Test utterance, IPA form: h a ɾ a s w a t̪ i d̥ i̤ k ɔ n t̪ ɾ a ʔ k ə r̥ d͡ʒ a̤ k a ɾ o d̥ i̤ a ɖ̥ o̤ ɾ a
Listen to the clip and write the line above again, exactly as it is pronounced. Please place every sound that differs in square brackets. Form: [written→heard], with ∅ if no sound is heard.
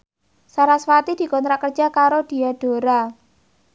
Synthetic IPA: [h→s] a ɾ a s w a t̪ i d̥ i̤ k ɔ n t̪ ɾ a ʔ k ə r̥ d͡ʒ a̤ k a ɾ o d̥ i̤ a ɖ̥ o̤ ɾ a